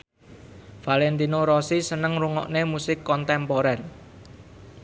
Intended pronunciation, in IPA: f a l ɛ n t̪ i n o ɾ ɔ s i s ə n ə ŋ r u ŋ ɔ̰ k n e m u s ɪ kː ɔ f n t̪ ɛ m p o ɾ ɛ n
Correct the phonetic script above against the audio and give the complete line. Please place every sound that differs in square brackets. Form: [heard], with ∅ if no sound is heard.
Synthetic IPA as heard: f a l ɛ n t̪ i n o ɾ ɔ s i s ə n ə ŋ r u ŋ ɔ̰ [ʔ] n e m u s ɪ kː ɔ [∅] n t̪ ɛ m p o ɾ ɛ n